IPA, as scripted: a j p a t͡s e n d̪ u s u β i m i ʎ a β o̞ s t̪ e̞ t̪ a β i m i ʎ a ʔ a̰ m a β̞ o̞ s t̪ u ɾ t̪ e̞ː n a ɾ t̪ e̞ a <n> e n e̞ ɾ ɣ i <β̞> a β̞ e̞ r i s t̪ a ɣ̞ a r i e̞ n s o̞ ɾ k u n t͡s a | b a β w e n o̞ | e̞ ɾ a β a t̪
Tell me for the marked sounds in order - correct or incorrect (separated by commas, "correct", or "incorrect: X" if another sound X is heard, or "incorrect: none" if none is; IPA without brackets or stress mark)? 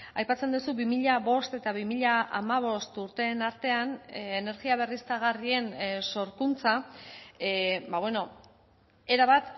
correct, incorrect: none